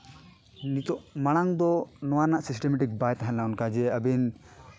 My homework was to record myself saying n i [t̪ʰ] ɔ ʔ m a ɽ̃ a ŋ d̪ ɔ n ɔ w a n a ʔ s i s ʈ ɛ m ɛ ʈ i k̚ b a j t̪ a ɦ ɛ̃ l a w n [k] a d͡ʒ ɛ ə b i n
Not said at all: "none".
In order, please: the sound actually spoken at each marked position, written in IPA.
t̪, k

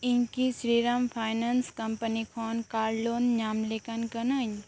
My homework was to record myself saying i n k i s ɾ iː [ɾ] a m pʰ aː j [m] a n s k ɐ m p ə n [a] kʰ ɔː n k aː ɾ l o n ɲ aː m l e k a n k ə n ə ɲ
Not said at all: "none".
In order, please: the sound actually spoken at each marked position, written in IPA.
ɾ, n, i

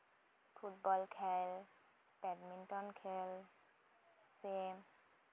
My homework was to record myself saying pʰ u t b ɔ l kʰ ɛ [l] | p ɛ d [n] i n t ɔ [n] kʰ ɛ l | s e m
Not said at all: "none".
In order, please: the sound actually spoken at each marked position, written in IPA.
l, m, n

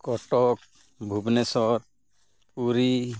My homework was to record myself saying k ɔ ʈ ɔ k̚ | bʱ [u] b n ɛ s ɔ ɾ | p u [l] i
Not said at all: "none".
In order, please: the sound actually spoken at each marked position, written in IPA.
u, ɾ

